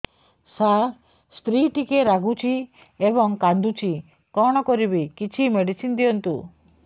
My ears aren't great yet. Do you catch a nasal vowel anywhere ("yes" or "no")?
no